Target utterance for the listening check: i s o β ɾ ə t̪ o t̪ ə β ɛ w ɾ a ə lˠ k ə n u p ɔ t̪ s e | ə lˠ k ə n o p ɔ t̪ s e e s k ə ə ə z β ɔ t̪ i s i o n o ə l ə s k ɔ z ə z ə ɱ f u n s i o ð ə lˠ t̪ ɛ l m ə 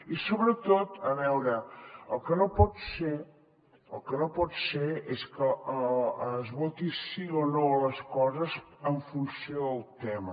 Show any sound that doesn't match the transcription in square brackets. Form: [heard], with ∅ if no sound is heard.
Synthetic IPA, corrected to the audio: i s o β ɾ ə t̪ o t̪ ə β ɛ w ɾ [ə] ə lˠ k ə n [o] p ɔ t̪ s e | ə lˠ k ə n o p ɔ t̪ s e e s k ə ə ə z β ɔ t̪ i s i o n o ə l ə s k ɔ z ə z ə ɱ f u n s i o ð ə lˠ t̪ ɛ [∅] m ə